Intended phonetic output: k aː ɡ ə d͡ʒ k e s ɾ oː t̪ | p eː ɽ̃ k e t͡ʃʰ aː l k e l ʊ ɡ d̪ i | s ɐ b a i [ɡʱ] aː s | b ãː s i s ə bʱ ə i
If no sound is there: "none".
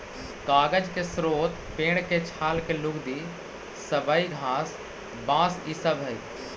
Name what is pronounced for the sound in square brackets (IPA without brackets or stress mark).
ɡʱ